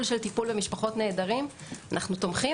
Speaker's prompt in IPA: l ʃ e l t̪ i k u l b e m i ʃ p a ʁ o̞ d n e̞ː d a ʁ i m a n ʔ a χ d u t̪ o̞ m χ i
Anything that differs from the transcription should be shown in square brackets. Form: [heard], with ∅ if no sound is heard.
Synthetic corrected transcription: l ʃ e l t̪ i [p] u l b e m i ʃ p a [χ] o̞ [t] n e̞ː d a ʁ i m a n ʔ a χ [n] u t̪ o̞ m χ i